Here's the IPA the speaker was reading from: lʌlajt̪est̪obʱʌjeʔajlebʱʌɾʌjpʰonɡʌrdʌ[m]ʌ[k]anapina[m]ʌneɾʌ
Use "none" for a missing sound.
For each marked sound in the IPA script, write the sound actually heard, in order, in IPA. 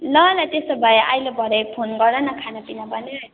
n, kʰ, b

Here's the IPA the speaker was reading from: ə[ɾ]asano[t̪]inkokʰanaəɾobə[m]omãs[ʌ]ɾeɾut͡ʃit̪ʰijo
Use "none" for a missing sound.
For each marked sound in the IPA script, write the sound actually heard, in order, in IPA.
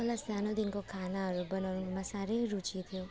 l, d̪, n, a

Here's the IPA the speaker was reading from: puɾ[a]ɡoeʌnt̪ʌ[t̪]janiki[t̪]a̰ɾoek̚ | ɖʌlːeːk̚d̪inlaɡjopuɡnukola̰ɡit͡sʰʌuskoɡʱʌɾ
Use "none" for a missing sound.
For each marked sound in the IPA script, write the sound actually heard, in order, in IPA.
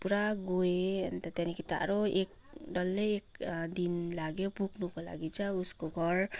a, t̪, t̪

